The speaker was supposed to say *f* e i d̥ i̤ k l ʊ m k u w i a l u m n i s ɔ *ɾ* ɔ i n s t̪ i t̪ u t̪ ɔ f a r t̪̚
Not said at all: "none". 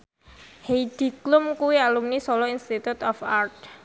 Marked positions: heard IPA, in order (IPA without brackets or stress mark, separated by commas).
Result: h, l